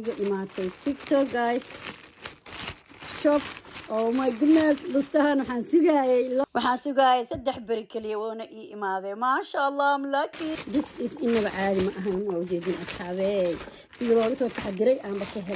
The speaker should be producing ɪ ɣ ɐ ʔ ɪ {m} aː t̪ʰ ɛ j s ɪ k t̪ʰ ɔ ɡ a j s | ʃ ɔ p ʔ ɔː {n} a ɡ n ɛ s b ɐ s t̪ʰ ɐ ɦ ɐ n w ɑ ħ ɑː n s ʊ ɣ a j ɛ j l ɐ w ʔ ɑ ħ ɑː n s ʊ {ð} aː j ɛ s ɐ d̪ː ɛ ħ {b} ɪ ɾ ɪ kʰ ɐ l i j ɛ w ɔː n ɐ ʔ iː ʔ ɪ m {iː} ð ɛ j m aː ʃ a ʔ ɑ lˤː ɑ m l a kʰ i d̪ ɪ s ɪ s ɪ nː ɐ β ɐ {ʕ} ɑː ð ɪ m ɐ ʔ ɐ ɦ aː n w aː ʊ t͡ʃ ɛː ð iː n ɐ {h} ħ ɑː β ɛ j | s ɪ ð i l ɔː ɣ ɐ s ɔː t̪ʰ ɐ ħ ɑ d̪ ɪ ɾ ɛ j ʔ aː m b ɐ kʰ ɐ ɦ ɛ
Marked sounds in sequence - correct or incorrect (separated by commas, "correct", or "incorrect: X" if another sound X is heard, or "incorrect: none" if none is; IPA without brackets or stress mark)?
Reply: correct, incorrect: m, incorrect: ɣ, correct, incorrect: aː, correct, incorrect: s